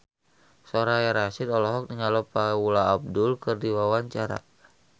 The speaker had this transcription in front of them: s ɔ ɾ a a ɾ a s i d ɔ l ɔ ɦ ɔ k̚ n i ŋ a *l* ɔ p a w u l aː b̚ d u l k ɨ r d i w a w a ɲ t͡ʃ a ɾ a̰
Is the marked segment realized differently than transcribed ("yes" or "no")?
no